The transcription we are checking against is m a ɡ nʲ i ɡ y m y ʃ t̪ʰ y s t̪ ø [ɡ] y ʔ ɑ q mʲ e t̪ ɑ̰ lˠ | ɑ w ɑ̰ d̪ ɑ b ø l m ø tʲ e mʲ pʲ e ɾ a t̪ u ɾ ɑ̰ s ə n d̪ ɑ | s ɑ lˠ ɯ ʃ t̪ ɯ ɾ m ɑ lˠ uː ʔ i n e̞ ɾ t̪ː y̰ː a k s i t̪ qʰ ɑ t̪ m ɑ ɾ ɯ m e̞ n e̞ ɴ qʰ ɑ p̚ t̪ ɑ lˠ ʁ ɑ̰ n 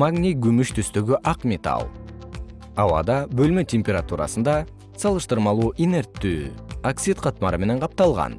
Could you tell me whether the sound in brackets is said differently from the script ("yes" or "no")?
no